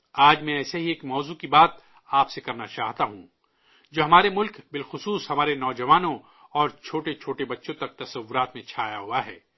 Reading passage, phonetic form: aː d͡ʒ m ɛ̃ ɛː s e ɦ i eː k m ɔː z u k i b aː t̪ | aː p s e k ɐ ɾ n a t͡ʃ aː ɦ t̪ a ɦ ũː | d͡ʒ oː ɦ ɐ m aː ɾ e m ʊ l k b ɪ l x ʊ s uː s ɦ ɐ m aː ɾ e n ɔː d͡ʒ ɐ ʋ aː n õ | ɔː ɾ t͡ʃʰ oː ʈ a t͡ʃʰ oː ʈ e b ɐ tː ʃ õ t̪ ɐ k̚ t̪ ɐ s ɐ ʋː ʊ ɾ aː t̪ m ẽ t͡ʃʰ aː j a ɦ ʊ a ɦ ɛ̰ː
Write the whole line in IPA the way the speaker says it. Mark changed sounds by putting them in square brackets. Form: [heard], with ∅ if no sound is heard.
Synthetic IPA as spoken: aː d͡ʒ m ɛ̃ ɛː s e ɦ i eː k m ɔː z u k i b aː t̪ | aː p s e k ɐ ɾ n a t͡ʃ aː ɦ t̪ a ɦ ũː | d͡ʒ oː ɦ ɐ m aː ɾ e m ʊ l k b ɪ l x ʊ s uː s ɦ ɐ m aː ɾ e n ɔː d͡ʒ ɐ ʋ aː n õ | ɔː ɾ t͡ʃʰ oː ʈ [e] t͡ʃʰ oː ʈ e b ɐ tː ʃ õ t̪ ɐ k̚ t̪ ɐ s ɐ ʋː ʊ ɾ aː t̪ m ẽ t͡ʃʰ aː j a ɦ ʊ a ɦ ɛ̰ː

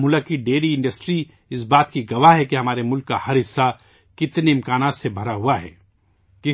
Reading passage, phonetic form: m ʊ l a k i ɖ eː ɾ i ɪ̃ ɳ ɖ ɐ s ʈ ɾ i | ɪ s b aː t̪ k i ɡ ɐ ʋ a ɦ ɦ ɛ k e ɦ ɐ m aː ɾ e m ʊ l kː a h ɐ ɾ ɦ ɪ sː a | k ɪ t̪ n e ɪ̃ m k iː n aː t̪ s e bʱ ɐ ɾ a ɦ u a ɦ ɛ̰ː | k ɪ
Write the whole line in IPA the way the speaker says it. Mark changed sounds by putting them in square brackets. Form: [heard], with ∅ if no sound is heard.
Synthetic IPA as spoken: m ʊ l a k i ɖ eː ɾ i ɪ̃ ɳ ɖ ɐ s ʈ ɾ i | ɪ s b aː t̪ k i ɡ ɐ ʋ a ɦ ɦ ɛ k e ɦ ɐ m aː ɾ e m ʊ l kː a h ɐ ɾ ɦ ɪ sː a | k ɪ t̪ n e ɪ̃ m k [aː] n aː t̪ s e bʱ ɐ ɾ a ɦ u a ɦ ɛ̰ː | k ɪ

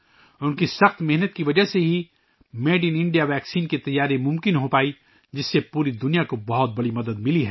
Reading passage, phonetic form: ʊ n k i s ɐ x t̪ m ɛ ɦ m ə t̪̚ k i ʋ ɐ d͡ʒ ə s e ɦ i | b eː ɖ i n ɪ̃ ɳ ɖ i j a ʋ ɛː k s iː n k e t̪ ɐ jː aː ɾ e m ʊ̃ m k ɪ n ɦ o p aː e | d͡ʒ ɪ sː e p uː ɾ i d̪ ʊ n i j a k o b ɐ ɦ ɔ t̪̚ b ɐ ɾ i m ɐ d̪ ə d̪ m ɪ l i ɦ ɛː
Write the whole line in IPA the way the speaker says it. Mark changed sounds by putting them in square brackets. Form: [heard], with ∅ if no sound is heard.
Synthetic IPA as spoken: ʊ n k i s ɐ x t̪ m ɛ ɦ [n] ə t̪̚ k i ʋ ɐ d͡ʒ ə s e ɦ i | [m] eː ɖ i n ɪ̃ ɳ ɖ i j a ʋ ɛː k s iː n k e t̪ ɐ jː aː ɾ e m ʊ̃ m k ɪ n ɦ o p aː [i] | d͡ʒ ɪ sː e p uː ɾ i d̪ ʊ n i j a k o b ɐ ɦ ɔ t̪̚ b ɐ [ɽ] i m ɐ d̪ ə d̪ m ɪ l i ɦ ɛː

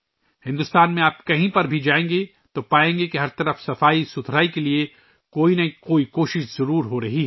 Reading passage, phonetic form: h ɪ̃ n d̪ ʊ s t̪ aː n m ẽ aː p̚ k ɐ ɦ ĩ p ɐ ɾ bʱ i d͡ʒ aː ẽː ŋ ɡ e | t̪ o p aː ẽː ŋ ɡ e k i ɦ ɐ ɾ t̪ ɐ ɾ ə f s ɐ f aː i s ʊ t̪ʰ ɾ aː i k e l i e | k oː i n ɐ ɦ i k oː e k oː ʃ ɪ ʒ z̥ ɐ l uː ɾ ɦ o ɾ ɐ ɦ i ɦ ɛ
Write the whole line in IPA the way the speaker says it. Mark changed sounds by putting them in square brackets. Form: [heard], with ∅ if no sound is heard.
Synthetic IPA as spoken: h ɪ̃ n d̪ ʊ s t̪ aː n m ẽ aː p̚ k ɐ ɦ ĩ p ɐ ɾ bʱ i d͡ʒ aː ẽː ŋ ɡ e | t̪ o p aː ẽː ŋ ɡ e k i ɦ ɐ ɾ t̪ ɐ ɾ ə f s ɐ f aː i s ʊ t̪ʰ ɾ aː i k e l i e | k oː i n ɐ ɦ i k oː [i] k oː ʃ ɪ [ʃ] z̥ ɐ [ɾ] uː ɾ ɦ o ɾ ɐ ɦ i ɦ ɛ

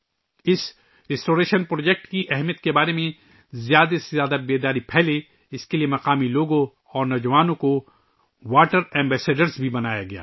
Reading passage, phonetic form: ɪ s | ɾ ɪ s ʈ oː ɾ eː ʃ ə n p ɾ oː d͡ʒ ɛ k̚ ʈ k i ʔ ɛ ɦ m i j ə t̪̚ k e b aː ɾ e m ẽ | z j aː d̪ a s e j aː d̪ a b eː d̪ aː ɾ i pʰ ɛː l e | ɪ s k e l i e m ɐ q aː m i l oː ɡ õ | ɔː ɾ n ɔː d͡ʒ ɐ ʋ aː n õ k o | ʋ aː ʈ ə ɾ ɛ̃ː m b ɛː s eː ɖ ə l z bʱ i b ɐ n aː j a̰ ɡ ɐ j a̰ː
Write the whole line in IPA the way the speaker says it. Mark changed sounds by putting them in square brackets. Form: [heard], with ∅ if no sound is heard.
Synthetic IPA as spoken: ɪ s | ɾ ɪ s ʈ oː ɾ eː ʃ ə n p ɾ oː d͡ʒ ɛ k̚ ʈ k i ʔ ɛ ɦ m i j ə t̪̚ k e b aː ɾ e m ẽ | z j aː d̪ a s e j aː d̪ a b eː d̪ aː ɾ i pʰ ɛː l e | ɪ s k e l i e m ɐ q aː m i l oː ɡ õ | ɔː ɾ n ɔː d͡ʒ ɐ ʋ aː n õ k o | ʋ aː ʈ ə ɾ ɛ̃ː m b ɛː s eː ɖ ə [ɾ] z bʱ i b ɐ n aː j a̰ ɡ ɐ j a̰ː

